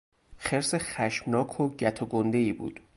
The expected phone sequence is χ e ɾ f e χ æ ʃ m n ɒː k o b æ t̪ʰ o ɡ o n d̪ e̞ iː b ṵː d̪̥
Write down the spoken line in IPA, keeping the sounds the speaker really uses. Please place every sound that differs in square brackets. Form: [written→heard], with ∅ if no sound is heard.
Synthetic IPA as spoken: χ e ɾ [f→s] e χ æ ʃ m n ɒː [k→kʰ] o [b→ɟ] æ t̪ʰ o ɡ o n d̪ e̞ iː b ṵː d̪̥